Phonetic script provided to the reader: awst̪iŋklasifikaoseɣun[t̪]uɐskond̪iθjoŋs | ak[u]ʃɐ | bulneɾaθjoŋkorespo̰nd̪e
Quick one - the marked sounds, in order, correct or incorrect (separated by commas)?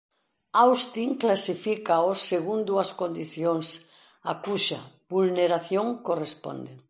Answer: incorrect, correct